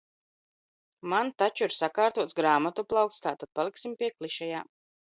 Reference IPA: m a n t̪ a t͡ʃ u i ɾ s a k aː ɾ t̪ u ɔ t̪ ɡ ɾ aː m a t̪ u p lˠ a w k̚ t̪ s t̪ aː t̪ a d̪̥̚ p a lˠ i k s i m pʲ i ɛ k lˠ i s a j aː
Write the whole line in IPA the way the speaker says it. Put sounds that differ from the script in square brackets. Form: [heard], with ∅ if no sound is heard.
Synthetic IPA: m a n t̪ a t͡ʃ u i ɾ s a k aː ɾ t̪ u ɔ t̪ ɡ ɾ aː m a t̪ u p lˠ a w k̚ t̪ s t̪ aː t̪ a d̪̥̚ p a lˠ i k s i m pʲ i ɛ k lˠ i [ʃ] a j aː